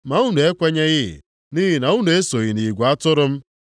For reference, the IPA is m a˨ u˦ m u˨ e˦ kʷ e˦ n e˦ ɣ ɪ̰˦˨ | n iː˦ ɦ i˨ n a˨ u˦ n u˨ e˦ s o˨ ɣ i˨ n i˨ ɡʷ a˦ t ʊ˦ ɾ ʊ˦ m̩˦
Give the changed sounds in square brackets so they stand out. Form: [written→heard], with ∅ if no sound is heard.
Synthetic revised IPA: m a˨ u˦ [m→n] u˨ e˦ kʷ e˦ [n→ɲ] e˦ ɣ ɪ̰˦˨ | n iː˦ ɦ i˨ n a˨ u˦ n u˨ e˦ s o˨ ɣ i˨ n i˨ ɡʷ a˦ t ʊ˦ ɾ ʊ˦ m̩˦